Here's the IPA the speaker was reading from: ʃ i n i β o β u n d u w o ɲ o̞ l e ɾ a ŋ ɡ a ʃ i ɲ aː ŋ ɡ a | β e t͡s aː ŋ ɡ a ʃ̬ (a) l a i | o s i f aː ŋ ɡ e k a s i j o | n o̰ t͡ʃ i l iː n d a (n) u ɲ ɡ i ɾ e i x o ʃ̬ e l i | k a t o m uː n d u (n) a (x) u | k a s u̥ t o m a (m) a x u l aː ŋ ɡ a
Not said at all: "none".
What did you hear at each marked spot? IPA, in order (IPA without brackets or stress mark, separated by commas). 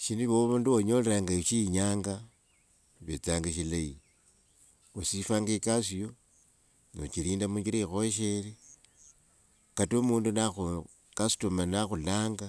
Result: i, m, n, x, n